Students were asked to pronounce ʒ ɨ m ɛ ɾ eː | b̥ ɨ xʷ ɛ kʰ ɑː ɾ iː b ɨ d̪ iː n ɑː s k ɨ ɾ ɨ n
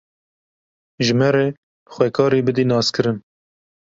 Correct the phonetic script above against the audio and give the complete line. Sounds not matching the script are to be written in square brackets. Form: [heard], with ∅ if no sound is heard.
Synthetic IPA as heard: ʒ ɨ m ɛ ɾ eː | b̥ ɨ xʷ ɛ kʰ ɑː ɾ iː b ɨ d̪ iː n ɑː s k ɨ ɾ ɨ n